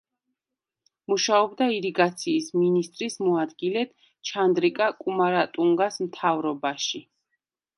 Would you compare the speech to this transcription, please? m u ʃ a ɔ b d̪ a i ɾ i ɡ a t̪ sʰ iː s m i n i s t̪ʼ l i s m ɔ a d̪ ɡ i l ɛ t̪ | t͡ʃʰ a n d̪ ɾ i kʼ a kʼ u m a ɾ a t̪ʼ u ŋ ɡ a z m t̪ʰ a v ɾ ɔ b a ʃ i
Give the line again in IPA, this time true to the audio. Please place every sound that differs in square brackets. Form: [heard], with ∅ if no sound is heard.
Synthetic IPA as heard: m u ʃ a ɔ b d̪ a i ɾ i ɡ a t̪ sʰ iː s m i n i s t̪ʼ [ɾ] i s m ɔ a d̪ ɡ i l ɛ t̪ | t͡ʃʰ a n d̪ ɾ i kʼ a kʼ u m a ɾ a t̪ʼ u ŋ ɡ a [s] m t̪ʰ a v ɾ ɔ b a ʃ i